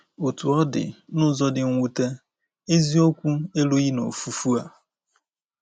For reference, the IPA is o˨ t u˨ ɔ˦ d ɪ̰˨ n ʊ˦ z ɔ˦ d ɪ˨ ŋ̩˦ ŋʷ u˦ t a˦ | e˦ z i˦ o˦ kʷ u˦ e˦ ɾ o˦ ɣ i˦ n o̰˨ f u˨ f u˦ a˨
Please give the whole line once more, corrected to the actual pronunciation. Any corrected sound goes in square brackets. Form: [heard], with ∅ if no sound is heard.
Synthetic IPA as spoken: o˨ t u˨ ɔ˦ d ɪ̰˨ n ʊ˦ z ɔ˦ d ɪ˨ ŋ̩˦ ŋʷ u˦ t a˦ | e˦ z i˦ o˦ kʷ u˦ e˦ [l] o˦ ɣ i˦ n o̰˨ f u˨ f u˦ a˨